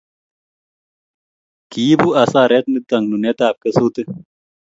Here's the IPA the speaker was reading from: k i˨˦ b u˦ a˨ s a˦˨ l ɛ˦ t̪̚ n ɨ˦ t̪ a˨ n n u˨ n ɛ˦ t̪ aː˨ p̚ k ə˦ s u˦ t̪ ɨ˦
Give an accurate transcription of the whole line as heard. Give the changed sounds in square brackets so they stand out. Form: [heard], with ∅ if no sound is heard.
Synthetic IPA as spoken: k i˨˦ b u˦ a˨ s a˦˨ [ɾ] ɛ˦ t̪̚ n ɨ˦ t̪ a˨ [ŋ] n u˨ n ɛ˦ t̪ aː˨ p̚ k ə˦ s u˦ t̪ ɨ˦